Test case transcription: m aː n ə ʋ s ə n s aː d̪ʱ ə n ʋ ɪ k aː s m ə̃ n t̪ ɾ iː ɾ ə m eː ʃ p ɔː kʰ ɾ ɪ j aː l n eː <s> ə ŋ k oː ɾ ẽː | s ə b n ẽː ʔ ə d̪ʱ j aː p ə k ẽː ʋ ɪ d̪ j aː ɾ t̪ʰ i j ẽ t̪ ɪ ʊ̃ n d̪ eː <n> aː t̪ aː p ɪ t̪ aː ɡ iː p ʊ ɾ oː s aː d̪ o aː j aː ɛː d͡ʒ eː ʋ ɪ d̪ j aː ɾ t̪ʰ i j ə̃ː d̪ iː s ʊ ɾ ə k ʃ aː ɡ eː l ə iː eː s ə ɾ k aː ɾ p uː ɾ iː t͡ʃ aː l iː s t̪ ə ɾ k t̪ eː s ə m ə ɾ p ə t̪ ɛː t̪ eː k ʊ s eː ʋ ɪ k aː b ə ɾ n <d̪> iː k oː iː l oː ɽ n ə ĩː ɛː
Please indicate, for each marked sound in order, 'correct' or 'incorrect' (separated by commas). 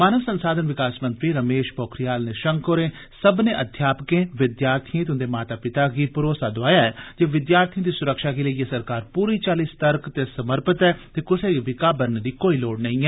incorrect, incorrect, correct